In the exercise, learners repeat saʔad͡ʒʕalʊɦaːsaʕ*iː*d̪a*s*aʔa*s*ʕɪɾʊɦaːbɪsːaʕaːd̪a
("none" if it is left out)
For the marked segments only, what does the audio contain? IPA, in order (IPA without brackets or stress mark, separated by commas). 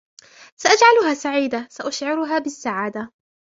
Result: iː, s, ʃ